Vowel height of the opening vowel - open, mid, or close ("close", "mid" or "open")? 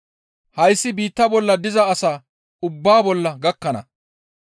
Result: open